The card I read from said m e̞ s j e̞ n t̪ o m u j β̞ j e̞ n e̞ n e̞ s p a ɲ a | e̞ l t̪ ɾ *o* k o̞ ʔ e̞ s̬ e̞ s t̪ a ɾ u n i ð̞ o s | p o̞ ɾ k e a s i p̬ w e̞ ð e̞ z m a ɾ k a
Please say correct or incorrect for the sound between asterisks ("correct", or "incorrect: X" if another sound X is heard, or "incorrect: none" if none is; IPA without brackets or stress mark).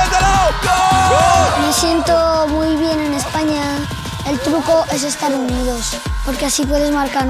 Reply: incorrect: u